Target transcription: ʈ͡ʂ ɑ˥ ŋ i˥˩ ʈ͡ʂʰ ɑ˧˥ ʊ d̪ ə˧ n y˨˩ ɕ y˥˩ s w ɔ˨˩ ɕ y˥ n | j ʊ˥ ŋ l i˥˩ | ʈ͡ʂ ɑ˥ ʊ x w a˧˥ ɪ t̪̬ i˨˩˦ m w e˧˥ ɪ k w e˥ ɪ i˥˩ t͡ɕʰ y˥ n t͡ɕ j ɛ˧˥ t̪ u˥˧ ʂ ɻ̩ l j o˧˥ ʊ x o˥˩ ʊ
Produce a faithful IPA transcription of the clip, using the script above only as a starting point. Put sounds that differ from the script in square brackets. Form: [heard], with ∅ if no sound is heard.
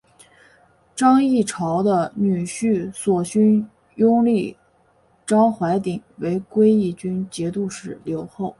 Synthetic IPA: ʈ͡ʂ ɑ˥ ŋ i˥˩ ʈ͡ʂʰ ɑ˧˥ ʊ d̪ ə˧ n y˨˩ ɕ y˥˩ s w ɔ˨˩ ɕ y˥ n | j ʊ˥ ŋ l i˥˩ | ʈ͡ʂ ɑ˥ ʊ x w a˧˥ ɪ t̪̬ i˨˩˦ [ŋ] w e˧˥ ɪ k w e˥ ɪ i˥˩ [t͡ɕ] y˥ n t͡ɕ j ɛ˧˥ t̪ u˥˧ ʂ ɻ̩ l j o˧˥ ʊ x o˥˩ ʊ